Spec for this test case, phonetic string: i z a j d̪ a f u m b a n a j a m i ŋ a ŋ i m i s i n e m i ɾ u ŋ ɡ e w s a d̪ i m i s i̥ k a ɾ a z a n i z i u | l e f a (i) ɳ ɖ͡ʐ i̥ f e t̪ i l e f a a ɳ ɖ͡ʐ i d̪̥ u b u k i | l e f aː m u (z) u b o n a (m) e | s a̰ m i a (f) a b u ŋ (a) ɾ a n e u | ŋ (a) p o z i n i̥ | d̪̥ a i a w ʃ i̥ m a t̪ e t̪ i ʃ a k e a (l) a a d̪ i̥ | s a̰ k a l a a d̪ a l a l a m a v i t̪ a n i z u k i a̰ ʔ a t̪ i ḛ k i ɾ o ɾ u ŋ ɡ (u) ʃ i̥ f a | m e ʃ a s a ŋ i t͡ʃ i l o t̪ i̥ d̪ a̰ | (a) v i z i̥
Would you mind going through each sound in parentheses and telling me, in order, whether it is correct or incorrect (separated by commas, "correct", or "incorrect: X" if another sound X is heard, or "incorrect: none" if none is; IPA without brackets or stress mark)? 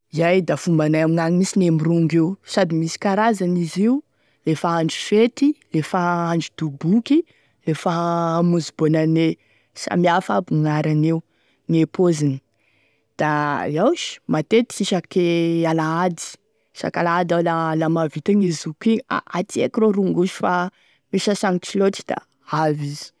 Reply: incorrect: a, correct, incorrect: n, correct, correct, incorrect: e, correct, correct, correct